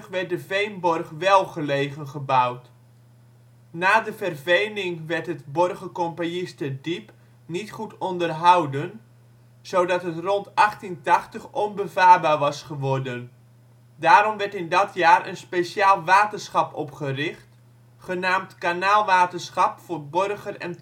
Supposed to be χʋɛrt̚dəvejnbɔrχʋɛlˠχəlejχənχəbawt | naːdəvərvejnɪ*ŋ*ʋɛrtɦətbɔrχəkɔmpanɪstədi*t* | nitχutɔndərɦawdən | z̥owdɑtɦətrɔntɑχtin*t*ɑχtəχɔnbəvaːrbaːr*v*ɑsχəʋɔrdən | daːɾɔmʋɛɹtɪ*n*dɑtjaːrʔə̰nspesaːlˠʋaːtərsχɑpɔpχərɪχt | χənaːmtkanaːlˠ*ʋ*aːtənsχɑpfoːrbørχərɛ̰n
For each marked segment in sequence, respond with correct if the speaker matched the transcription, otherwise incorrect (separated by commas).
correct, incorrect, correct, incorrect, correct, correct